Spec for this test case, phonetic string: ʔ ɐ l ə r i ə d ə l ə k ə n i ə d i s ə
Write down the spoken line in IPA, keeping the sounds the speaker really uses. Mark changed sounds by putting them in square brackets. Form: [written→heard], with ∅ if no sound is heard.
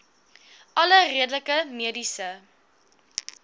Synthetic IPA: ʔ ɐ l ə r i ə d ə l ə k ə [n→m] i ə d i s ə